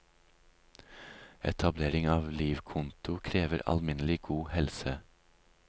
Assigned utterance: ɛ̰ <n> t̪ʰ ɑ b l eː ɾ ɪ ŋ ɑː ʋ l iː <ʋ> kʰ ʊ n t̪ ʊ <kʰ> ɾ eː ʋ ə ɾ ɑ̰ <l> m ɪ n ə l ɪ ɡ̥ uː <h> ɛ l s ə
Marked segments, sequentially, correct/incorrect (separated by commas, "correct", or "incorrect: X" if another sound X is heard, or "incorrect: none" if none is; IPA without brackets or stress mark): incorrect: none, correct, correct, correct, correct